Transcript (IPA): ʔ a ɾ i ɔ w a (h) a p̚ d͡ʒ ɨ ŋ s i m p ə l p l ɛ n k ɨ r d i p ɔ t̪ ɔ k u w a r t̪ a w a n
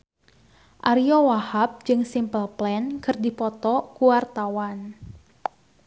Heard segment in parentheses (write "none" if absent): h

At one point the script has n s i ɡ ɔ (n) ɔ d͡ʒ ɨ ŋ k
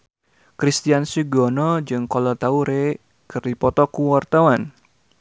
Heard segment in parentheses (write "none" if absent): n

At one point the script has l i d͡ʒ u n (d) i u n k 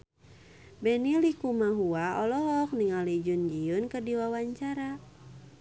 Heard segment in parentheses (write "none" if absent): d͡ʒ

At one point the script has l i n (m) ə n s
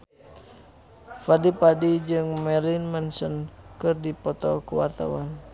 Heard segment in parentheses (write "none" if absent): m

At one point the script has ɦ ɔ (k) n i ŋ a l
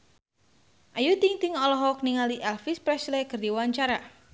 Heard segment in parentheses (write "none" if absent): k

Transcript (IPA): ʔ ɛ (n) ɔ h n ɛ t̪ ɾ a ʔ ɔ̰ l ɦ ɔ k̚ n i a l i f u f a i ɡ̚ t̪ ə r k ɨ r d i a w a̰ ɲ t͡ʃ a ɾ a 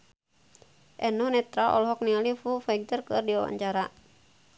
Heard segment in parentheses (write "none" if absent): n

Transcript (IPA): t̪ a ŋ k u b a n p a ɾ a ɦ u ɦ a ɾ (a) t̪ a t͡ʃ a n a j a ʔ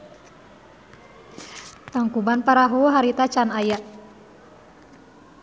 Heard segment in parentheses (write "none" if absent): i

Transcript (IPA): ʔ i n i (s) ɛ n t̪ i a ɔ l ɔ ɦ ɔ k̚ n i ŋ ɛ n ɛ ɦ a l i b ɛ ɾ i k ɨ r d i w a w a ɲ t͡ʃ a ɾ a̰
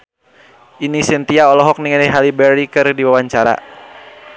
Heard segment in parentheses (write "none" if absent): s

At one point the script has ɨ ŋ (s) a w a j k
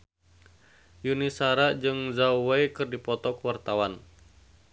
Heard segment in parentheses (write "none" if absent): z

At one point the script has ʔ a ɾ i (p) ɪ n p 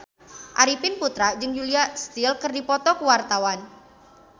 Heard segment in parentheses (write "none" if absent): p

